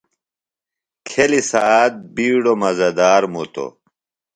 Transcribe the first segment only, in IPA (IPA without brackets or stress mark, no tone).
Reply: kʰ